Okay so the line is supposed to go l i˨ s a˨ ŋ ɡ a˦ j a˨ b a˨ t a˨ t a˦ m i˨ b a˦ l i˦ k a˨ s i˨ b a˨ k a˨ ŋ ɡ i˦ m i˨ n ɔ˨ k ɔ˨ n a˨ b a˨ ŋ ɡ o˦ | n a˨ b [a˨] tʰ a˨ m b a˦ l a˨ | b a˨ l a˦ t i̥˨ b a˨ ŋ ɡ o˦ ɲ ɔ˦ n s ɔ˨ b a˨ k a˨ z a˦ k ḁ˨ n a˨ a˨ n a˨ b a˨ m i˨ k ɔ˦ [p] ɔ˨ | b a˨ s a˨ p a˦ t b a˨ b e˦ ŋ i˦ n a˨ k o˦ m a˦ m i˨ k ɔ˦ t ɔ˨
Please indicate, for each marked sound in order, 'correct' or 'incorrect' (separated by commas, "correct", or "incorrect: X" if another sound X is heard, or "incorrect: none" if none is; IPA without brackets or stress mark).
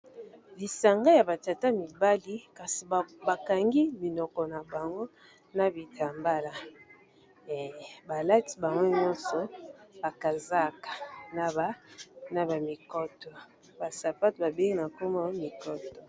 incorrect: i˨, incorrect: t